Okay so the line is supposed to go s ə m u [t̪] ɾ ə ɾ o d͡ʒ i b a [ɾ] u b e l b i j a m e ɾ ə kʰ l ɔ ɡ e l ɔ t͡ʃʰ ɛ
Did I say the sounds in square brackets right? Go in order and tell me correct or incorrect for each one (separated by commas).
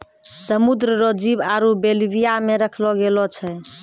incorrect, correct